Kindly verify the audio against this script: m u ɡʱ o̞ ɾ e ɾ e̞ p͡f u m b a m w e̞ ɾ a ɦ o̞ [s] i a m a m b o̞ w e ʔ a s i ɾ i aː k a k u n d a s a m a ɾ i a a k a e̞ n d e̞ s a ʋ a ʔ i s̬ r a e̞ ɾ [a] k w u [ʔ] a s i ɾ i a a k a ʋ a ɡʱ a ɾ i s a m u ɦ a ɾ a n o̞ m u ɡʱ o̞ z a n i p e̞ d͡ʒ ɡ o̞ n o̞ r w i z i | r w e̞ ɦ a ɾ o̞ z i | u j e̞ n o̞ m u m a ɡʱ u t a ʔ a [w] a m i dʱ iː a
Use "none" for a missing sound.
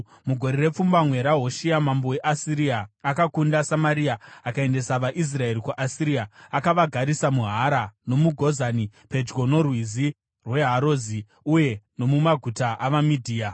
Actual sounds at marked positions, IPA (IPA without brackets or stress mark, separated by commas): ʃ, i, ʔ, ʋ